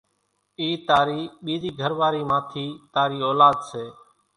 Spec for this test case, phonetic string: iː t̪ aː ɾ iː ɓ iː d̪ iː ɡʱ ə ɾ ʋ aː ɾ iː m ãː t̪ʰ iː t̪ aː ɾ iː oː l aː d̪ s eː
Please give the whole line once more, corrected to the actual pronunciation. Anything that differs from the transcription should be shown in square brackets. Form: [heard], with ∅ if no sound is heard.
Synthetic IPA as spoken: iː t̪ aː ɾ iː ɓ iː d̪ iː ɡʱ ə ɾ ʋ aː ɾ iː m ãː t̪ʰ iː t̪ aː ɾ iː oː l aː d̪ s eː